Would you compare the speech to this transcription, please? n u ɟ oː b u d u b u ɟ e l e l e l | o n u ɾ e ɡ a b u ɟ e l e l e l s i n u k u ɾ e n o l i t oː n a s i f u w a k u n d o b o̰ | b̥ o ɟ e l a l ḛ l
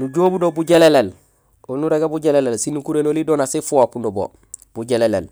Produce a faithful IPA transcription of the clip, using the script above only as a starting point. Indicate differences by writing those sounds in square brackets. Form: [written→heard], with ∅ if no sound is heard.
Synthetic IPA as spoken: n u ɟ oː b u d [u→o] b u ɟ e l e l e l | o n u ɾ e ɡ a b u ɟ e l e l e l s i n u k u ɾ e n o l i [t→d] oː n a s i f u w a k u n d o b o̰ | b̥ [o→u] ɟ e l [a→e] l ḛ l